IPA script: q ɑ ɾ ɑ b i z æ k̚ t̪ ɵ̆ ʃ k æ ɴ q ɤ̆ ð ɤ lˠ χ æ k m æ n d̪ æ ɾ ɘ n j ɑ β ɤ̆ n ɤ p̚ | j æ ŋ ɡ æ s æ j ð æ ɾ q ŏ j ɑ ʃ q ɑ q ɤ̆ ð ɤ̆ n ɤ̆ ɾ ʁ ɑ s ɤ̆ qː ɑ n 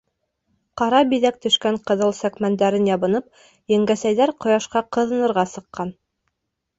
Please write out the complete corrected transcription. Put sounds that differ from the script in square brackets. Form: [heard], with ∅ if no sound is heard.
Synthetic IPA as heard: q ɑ ɾ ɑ b i [ð] æ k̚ t̪ ɵ̆ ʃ k æ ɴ q ɤ̆ ð ɤ lˠ [s] æ k m æ n d̪ æ ɾ ɘ n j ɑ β ɤ̆ n ɤ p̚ | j æ ŋ ɡ æ s æ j ð æ ɾ q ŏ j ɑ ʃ q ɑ q ɤ̆ ð ɤ̆ n ɤ̆ ɾ ʁ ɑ s ɤ̆ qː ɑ n